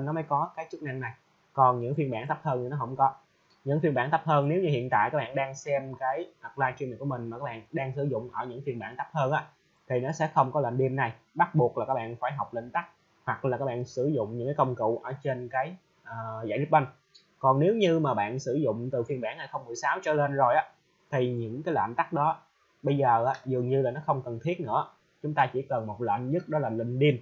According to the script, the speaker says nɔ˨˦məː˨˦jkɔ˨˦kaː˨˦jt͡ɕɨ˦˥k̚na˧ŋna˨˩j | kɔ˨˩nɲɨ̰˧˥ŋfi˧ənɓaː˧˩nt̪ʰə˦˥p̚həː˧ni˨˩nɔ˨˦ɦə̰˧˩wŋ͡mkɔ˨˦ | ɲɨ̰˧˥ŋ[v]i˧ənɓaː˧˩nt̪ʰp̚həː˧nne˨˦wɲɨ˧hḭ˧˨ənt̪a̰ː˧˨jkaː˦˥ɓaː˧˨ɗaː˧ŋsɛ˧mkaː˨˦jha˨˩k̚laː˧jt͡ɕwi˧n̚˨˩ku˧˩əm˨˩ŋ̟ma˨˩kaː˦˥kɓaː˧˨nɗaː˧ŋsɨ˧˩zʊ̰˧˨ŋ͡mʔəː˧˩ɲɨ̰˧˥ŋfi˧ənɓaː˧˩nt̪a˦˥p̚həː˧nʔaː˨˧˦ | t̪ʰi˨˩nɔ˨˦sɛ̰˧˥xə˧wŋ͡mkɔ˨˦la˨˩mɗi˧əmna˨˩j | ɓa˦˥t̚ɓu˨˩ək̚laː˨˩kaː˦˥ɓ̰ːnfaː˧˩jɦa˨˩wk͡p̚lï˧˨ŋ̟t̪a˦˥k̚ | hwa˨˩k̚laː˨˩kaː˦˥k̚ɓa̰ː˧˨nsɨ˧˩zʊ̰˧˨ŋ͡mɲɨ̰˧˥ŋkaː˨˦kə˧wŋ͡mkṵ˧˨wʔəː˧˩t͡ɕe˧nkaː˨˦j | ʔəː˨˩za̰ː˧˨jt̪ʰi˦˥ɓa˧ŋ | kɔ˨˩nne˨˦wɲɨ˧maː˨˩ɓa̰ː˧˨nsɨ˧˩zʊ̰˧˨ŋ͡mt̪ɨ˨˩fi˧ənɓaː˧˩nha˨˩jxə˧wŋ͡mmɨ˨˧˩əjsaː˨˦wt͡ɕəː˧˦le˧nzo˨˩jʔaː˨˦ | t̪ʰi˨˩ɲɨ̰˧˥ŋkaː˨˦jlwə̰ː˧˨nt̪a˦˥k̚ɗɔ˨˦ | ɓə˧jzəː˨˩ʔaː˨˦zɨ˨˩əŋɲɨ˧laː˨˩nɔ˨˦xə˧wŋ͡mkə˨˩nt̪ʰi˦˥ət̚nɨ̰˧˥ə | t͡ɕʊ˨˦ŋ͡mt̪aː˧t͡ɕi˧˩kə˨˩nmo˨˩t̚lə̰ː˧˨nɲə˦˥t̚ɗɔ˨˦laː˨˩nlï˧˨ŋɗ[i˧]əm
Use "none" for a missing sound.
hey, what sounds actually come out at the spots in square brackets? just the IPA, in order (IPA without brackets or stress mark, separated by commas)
f, i˧